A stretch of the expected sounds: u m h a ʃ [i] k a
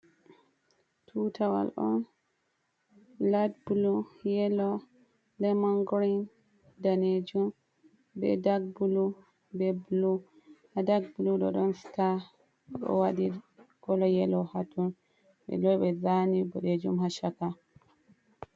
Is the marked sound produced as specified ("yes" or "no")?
no